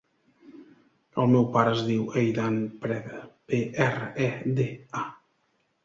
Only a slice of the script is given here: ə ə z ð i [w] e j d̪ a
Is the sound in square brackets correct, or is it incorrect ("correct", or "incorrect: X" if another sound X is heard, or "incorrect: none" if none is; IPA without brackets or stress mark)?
correct